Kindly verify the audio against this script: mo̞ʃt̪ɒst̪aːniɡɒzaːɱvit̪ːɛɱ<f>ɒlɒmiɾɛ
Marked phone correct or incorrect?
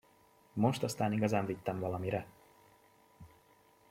incorrect